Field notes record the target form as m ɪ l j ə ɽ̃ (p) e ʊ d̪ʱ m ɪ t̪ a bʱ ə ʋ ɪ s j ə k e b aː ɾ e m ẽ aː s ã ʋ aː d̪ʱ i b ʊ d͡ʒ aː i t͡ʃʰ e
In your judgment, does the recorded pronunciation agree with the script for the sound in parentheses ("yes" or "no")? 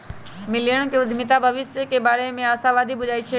no